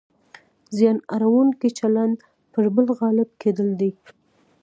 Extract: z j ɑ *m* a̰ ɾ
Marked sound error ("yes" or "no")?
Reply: yes